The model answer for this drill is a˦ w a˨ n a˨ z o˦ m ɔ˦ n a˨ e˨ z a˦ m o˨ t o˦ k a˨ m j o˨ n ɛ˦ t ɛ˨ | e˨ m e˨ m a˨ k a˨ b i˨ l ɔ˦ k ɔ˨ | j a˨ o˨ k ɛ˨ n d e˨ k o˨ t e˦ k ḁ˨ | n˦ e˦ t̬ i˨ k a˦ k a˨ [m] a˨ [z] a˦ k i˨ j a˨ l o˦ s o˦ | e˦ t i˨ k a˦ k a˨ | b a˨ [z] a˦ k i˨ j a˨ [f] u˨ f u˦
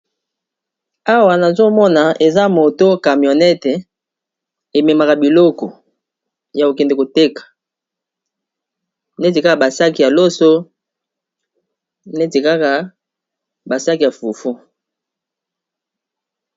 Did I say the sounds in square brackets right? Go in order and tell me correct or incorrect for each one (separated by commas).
incorrect, incorrect, incorrect, correct